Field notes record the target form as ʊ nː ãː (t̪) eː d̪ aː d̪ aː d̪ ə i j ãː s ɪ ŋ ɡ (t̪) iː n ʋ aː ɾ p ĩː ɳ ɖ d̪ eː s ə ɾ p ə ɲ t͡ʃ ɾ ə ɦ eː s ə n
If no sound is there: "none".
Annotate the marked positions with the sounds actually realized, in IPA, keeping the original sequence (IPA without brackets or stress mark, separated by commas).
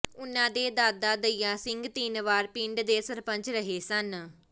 d̪, t̪